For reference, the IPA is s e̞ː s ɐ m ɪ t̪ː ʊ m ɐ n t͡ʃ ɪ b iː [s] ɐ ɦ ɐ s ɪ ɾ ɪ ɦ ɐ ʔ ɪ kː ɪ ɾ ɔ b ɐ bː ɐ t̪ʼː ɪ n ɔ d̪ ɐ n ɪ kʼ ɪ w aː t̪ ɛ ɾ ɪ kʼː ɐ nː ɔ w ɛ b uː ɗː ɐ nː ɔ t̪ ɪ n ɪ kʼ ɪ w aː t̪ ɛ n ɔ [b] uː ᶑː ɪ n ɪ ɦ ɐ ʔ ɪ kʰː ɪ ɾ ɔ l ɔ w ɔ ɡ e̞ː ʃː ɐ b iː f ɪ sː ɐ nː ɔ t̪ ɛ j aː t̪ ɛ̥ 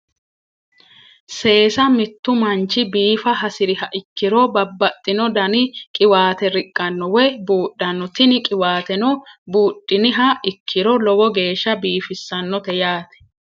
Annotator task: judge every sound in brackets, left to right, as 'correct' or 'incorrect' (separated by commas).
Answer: incorrect, correct